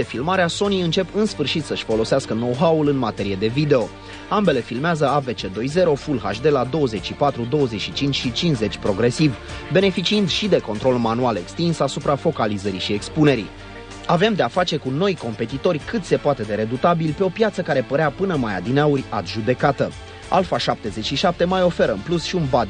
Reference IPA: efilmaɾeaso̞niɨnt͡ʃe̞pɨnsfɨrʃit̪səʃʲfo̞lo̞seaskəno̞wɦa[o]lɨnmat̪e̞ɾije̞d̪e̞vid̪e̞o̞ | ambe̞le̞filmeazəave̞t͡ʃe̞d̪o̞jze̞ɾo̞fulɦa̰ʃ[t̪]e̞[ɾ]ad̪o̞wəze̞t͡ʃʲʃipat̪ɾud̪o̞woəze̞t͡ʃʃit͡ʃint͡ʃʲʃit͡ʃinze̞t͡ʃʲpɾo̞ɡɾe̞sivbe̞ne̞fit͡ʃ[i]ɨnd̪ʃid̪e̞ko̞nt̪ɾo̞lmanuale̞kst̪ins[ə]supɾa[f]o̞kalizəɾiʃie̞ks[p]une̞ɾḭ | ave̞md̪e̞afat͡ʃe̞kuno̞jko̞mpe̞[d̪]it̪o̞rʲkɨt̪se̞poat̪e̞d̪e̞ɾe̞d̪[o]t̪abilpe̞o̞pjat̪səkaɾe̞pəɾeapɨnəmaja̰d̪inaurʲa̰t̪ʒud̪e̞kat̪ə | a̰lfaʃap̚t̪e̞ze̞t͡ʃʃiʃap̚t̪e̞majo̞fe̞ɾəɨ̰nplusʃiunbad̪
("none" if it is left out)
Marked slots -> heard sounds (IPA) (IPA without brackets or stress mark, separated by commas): u, d̪, l, i, a, f, p, t̪, u